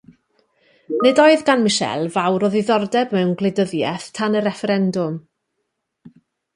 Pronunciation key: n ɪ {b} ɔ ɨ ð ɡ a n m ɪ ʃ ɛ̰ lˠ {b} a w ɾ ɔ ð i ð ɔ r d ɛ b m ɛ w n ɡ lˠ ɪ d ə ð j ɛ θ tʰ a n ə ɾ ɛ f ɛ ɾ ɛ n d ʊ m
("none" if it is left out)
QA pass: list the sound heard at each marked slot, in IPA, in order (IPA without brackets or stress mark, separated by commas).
d, v